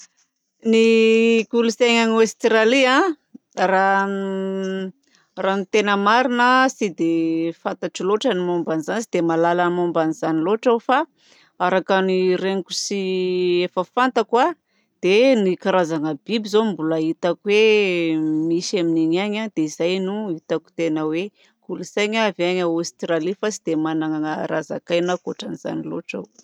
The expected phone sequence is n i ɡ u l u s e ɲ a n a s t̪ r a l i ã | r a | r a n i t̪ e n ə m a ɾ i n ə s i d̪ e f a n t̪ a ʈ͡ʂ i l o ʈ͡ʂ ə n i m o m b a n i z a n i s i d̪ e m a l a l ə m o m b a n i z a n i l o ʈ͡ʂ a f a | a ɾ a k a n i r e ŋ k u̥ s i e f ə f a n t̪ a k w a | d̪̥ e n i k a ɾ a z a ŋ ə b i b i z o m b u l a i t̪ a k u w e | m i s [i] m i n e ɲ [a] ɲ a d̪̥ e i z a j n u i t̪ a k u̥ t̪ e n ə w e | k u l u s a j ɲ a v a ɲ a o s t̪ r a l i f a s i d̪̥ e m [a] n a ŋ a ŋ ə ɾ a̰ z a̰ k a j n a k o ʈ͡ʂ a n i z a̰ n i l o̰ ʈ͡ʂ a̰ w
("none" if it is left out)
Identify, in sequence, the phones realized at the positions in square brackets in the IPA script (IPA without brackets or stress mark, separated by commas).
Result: a, a, a